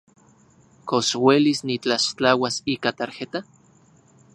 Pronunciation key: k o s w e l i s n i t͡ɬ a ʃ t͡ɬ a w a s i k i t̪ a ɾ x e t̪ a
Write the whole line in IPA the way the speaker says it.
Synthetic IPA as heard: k o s w e l i s n i t͡ɬ a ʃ t͡ɬ a w a s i k a t̪ a ɾ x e t̪ a